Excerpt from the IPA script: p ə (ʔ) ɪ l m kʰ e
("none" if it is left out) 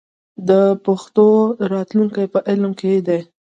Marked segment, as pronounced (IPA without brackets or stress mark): ʔ